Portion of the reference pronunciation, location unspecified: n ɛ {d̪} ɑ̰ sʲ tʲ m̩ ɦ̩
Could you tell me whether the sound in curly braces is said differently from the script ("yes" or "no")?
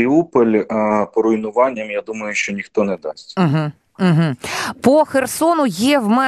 no